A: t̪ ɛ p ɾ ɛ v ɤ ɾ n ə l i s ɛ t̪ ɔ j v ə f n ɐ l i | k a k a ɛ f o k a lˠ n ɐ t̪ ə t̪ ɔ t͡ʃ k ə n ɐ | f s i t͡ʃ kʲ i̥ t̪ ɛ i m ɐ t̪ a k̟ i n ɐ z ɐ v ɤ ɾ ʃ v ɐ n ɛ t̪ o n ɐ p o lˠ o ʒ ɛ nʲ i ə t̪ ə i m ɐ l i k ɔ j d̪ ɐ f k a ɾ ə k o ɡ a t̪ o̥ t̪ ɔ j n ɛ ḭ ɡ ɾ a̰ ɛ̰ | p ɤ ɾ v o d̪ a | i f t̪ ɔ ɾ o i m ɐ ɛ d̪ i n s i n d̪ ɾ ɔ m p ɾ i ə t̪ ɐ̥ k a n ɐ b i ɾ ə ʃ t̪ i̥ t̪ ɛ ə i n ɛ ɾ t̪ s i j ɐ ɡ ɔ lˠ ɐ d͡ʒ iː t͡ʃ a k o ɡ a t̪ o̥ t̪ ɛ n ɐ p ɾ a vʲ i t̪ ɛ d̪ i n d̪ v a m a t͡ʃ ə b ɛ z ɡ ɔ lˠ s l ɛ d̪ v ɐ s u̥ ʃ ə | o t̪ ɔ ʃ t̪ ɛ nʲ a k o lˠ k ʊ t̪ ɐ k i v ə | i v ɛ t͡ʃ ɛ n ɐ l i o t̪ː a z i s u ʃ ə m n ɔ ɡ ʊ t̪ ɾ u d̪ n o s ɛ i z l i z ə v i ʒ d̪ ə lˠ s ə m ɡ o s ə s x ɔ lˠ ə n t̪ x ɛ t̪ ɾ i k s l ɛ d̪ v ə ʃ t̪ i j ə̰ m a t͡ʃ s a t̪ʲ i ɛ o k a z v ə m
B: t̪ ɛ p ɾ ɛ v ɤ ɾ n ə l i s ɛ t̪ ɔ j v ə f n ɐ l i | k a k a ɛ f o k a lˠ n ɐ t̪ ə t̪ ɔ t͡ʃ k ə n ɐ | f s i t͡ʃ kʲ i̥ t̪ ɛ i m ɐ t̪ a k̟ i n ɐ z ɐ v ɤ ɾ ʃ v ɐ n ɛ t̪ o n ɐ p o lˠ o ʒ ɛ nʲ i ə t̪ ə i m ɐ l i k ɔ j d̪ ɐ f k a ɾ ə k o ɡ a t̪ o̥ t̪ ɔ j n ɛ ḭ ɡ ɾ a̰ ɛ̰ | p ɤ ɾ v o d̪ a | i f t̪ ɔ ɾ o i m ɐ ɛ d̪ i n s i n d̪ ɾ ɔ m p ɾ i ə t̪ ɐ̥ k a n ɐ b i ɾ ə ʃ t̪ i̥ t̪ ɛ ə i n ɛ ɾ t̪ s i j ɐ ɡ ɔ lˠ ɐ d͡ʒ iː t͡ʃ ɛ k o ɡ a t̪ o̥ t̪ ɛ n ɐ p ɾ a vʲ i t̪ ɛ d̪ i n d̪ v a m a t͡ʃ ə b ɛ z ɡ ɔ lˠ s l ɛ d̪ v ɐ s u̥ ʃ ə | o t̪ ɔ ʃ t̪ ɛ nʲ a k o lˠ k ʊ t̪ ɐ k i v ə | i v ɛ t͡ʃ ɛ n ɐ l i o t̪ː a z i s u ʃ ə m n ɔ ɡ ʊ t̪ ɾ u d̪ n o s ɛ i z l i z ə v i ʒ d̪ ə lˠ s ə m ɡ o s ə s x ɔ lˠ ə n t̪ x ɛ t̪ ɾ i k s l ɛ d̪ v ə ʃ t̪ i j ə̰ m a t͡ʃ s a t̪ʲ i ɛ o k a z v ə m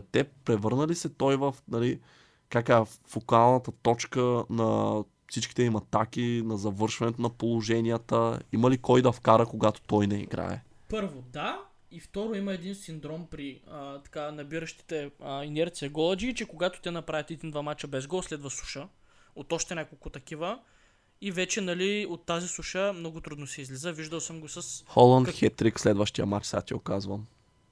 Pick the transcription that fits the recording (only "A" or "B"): B